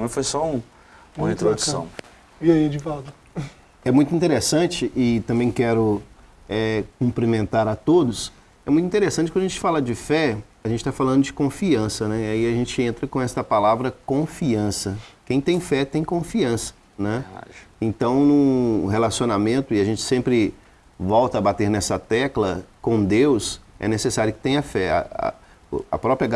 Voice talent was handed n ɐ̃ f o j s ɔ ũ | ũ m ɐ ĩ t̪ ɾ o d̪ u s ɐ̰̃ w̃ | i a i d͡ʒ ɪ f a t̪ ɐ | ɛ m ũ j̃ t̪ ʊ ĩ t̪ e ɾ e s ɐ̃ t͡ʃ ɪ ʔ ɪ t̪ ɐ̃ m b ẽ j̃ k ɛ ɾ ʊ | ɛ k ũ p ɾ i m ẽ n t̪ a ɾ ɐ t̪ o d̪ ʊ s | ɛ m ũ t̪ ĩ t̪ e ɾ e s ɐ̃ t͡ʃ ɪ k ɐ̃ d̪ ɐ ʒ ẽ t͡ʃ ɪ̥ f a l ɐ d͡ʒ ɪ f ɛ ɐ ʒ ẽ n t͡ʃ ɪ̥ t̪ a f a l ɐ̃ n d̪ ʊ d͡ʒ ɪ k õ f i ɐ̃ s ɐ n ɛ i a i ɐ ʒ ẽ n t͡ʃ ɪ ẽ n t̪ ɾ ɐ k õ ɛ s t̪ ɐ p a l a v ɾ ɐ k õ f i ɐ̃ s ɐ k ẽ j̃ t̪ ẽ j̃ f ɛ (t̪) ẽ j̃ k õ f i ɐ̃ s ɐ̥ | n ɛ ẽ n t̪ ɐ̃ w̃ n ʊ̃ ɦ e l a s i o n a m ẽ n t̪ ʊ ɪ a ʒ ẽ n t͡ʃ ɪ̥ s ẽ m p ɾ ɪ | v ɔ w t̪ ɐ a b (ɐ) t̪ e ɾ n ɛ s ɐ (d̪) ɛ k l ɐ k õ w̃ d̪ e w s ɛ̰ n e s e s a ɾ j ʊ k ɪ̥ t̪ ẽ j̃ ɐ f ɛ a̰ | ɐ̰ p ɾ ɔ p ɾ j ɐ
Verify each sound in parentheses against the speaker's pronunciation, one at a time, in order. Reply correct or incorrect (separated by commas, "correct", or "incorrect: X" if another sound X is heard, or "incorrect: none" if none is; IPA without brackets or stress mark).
correct, incorrect: a, incorrect: t̪